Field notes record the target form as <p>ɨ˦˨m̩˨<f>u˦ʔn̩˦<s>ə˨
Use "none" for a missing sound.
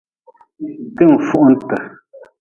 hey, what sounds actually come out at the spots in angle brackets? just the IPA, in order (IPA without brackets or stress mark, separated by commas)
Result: t, f, t